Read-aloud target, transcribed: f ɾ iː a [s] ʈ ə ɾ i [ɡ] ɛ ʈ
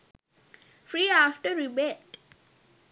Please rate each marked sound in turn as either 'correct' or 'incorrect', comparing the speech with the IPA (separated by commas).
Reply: incorrect, incorrect